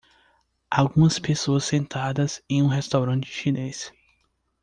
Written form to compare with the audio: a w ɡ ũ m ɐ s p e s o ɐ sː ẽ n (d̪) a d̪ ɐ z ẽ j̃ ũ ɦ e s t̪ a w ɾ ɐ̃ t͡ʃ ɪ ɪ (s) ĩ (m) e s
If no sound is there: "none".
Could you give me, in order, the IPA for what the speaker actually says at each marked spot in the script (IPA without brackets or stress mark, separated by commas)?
t̪, ʃ, n